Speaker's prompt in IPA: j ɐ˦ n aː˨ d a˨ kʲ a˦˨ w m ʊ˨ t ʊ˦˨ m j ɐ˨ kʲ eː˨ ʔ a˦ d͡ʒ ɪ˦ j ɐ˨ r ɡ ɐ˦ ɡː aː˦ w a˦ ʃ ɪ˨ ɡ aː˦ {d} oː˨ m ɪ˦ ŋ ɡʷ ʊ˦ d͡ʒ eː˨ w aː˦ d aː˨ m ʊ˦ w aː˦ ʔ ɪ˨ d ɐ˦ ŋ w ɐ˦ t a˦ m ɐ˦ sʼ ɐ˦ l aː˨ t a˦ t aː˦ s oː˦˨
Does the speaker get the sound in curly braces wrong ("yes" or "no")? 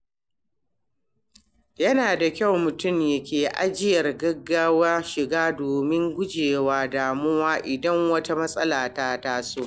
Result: no